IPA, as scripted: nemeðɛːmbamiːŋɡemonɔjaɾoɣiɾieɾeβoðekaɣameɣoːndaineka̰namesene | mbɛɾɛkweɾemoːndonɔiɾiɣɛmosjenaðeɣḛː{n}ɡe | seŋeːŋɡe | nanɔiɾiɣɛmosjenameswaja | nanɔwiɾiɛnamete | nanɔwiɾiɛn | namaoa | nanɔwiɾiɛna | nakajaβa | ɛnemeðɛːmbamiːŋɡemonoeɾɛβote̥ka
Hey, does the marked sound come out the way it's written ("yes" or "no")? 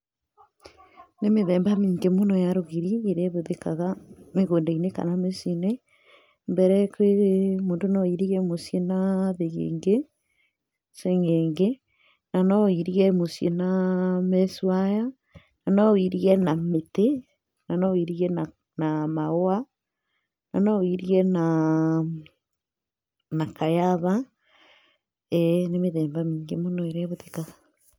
no